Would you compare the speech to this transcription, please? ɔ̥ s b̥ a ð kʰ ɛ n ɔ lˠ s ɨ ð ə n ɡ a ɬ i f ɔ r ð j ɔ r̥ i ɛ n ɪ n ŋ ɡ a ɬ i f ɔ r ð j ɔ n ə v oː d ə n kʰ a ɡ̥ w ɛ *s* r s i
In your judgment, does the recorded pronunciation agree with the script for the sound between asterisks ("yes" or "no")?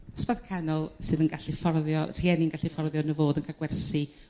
no